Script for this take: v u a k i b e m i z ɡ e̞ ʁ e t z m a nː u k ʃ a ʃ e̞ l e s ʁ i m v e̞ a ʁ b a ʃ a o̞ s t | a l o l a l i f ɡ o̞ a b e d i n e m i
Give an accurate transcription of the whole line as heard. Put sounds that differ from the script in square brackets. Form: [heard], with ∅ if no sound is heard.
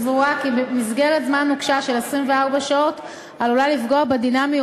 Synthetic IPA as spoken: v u a k i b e m i z ɡ e̞ ʁ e t z m a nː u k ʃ a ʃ e̞ l e s ʁ i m v e̞ a ʁ b a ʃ a o̞ [∅] t | a l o l a l i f ɡ o̞ a b e d i n [a] m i